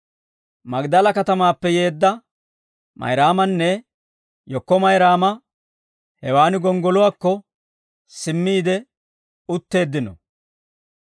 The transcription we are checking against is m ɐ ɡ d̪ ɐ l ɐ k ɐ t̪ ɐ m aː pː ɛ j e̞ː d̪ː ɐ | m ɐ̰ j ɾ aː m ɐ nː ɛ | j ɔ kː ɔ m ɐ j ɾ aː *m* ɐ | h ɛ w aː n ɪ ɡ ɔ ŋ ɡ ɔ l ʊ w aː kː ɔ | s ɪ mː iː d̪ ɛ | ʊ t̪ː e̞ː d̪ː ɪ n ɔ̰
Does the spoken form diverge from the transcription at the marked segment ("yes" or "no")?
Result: no